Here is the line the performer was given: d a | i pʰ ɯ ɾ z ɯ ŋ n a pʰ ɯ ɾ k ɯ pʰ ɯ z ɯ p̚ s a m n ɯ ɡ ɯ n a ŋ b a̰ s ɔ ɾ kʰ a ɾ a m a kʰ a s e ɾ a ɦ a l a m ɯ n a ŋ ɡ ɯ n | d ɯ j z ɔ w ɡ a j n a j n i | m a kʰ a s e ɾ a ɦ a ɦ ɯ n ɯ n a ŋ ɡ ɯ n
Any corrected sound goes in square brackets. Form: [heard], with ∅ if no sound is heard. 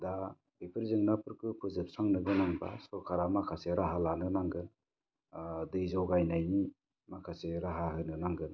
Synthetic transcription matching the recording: d a | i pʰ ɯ ɾ z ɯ ŋ n a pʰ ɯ ɾ k ɯ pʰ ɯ z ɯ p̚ s a [ŋ] n ɯ ɡ ɯ n a ŋ b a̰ s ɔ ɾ kʰ a ɾ a m a kʰ a s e ɾ a ɦ a l a [n] ɯ n a ŋ ɡ ɯ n | d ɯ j z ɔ w ɡ a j n a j n i | m a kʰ a s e ɾ a ɦ a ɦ ɯ n ɯ n a ŋ ɡ ɯ n

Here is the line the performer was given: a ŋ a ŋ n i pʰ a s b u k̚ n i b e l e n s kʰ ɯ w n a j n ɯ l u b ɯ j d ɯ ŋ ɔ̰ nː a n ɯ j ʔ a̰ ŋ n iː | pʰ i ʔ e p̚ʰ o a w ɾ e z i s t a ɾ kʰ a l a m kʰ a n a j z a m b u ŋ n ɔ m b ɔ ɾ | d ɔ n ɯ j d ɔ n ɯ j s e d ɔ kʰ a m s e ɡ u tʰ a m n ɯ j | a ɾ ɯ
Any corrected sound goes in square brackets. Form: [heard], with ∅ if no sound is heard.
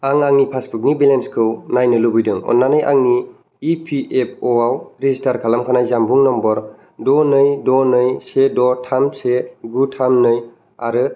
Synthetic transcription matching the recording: a ŋ a ŋ n i pʰ a s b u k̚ n i b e l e n s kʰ ɯ w n a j n ɯ l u b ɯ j d ɯ ŋ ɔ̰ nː a n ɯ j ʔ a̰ ŋ n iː | pʰ i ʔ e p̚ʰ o a w ɾ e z i s t a ɾ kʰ a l a m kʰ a n a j z a m b u ŋ n ɔ m b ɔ ɾ | d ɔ n ɯ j d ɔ n ɯ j s e d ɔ [tʰ] a m s e ɡ u tʰ a m n ɯ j | a ɾ ɯ

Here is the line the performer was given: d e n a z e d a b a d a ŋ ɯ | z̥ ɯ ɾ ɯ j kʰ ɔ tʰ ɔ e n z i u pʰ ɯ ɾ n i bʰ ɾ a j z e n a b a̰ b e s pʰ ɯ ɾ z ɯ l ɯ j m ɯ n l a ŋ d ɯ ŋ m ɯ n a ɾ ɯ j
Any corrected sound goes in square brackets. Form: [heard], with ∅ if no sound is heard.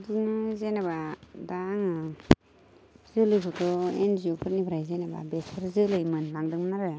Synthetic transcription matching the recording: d [i] n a z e [n] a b a d a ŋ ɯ | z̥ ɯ [l] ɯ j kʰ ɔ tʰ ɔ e n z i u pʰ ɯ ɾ n i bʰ ɾ a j z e n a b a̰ b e s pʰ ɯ ɾ z ɯ l ɯ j m ɯ n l a ŋ d ɯ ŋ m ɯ n a ɾ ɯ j

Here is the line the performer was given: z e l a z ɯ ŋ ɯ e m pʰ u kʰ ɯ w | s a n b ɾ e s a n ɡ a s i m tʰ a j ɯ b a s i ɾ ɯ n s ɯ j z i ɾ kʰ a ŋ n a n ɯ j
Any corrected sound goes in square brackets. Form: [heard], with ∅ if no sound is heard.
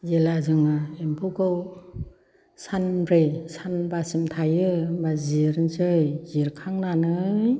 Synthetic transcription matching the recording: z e l a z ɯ ŋ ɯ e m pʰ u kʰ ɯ w | s a n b ɾ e s a n [b] a s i m tʰ a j ɯ b a [z] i ɾ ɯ n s ɯ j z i ɾ kʰ a ŋ n a n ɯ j

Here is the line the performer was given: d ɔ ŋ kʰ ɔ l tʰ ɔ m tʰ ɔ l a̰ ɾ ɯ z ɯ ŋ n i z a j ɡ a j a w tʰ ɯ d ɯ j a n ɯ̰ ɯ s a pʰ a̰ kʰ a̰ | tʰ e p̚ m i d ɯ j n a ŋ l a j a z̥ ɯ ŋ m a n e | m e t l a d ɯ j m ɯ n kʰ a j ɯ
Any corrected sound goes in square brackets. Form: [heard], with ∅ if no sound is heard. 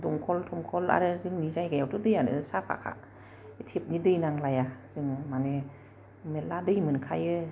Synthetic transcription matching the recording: d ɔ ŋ kʰ ɔ l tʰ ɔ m [kʰ] ɔ l a̰ ɾ ɯ z ɯ ŋ n i z a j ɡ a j a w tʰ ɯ d ɯ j a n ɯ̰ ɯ s a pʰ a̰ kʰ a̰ | tʰ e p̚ [n] i d ɯ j n a ŋ l a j a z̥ ɯ ŋ m a n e | m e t l a d ɯ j m ɯ n kʰ a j ɯ

